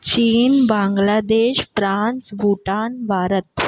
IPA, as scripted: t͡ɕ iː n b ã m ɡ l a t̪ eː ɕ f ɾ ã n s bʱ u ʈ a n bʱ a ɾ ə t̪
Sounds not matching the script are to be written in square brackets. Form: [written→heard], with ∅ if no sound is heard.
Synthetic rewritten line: t͡ɕ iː n b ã [m→ŋ] ɡ l a [t̪→d̪] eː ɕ f ɾ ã n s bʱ u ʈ a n bʱ a ɾ ə t̪